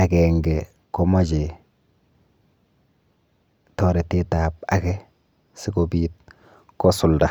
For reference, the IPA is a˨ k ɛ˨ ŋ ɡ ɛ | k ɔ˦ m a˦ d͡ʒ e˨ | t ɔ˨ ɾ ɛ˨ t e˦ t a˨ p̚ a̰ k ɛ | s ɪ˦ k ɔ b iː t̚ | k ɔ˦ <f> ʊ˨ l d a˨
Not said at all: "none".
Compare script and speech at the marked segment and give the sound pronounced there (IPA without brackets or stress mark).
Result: s